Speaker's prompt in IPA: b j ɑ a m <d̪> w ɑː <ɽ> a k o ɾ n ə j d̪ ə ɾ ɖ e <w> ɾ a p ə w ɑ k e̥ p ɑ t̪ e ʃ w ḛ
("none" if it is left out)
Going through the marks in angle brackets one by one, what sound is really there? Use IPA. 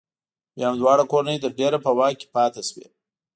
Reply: d̪, ɽ, none

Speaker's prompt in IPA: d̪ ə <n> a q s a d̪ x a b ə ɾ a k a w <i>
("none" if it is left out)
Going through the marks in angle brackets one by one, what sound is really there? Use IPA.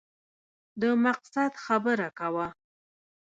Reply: m, a

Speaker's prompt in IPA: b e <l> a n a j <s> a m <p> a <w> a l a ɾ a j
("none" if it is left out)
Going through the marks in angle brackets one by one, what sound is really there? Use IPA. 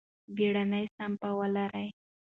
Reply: ɽ, s, p, w

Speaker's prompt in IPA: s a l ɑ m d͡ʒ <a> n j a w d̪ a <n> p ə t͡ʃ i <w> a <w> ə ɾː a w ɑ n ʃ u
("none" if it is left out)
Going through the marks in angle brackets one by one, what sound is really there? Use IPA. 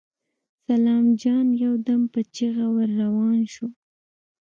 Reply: ɑ, m, ɣ, w

